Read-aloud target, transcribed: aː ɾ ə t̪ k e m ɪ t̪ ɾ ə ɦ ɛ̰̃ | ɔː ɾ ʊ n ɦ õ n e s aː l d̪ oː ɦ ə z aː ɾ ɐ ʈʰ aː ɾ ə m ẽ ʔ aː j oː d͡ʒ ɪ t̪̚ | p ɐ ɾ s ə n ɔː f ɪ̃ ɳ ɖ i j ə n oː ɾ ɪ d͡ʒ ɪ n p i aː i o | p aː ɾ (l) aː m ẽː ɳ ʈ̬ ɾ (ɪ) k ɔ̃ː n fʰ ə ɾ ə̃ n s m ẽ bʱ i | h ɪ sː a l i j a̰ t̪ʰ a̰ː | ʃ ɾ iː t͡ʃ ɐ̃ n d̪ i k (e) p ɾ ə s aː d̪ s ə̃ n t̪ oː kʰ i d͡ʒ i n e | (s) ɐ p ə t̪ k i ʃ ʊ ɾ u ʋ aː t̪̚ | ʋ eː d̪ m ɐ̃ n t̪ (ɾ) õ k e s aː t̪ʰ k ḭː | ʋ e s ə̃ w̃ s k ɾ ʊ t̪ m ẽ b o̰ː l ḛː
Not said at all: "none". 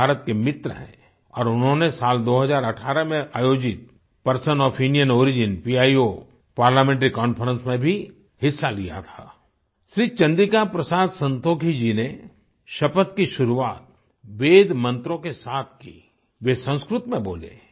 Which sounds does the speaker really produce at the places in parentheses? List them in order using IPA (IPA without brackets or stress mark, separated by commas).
l, i, a, ʃ, ɾ